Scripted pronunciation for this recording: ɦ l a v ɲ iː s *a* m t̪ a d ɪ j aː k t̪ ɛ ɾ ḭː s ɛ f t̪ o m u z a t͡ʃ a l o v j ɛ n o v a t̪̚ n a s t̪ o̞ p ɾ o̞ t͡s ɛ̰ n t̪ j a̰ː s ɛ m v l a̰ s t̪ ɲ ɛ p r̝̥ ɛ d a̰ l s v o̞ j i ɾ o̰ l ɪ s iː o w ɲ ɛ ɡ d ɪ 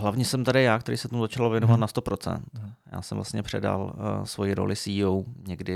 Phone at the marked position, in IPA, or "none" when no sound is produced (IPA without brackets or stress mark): ɛ